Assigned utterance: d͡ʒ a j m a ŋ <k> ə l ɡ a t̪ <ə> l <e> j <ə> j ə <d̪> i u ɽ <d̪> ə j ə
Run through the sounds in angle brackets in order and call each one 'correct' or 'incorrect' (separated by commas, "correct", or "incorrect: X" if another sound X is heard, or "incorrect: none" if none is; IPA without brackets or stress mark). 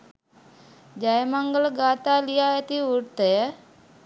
incorrect: ɡ, incorrect: a, incorrect: i, incorrect: a, incorrect: t̪, incorrect: t̪